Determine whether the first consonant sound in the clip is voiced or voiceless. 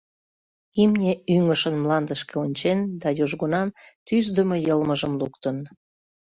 voiced